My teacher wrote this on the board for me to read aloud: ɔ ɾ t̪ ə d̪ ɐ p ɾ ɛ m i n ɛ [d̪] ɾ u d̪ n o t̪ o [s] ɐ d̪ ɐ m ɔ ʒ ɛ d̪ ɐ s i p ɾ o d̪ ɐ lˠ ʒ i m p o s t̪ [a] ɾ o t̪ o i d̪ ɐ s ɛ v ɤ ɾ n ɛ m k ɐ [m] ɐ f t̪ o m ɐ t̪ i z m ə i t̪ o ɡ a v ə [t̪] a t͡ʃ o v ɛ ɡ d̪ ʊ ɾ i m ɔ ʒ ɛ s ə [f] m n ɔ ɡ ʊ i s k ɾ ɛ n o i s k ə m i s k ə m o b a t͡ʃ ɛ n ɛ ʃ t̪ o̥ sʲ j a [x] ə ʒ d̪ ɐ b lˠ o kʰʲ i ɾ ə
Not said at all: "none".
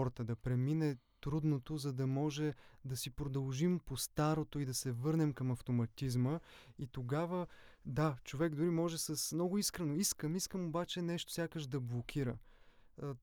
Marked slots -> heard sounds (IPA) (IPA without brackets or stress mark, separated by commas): t̪, z, a, m, d̪, s, k